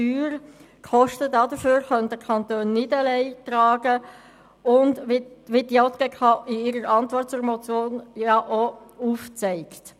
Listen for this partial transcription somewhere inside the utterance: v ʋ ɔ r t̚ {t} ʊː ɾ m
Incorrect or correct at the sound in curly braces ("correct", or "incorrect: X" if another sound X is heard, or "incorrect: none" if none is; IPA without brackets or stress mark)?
incorrect: t͡s